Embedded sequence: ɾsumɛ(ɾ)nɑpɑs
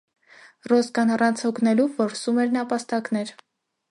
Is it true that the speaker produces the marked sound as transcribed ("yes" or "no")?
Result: yes